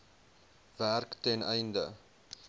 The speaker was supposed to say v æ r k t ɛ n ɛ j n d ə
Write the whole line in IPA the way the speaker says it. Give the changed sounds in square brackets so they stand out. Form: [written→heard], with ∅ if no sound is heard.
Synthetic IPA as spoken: v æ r k t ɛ n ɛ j n d ə